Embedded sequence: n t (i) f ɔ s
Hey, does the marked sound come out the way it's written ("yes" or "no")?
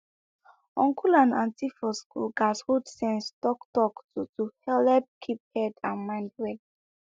yes